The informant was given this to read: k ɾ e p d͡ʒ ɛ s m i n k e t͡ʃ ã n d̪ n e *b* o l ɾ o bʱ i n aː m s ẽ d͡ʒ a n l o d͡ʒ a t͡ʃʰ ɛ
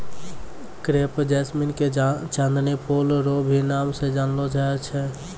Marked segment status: incorrect: p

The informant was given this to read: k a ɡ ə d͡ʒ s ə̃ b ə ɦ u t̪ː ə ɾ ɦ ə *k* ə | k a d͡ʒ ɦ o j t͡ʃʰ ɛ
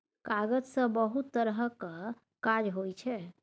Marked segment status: correct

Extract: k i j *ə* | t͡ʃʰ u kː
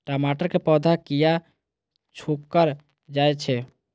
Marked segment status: incorrect: a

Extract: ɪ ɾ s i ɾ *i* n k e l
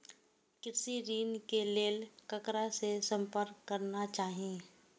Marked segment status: incorrect: iː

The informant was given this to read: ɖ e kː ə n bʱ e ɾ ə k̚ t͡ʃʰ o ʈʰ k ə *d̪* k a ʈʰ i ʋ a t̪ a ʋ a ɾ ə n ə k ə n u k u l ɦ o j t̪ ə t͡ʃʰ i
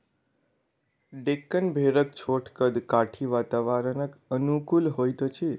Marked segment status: correct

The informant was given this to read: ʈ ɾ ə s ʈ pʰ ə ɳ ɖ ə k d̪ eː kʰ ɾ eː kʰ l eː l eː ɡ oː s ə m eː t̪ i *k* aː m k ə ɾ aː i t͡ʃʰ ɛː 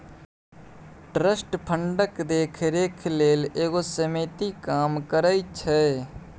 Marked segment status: correct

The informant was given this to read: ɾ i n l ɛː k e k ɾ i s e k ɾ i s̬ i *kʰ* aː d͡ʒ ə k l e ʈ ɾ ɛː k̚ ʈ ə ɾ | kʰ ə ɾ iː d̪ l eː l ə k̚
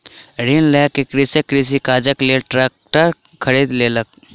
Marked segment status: incorrect: k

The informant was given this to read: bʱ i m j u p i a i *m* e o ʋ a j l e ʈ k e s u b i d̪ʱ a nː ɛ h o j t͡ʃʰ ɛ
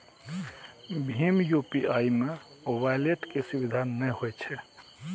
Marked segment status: correct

